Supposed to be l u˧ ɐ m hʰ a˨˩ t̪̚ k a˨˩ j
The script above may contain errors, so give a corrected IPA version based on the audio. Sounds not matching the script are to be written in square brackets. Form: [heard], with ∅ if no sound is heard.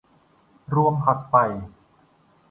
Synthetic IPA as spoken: [ɾ] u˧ [ə] m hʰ a˨˩ t̪̚ [p] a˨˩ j